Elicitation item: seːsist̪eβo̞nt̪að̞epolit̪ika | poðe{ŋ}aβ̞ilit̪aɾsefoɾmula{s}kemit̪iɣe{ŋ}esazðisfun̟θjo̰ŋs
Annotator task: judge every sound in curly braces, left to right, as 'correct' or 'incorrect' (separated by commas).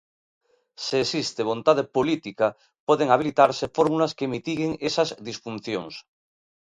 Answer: correct, correct, correct